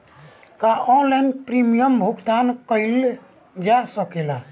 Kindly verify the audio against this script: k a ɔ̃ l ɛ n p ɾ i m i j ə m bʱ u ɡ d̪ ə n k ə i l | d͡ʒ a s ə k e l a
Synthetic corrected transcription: k a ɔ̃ l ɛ n p ɾ i m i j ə m bʱ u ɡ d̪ a n k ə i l | d͡ʒ a s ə k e l a